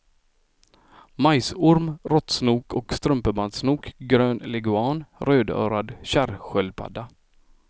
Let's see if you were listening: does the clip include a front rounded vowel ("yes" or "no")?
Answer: yes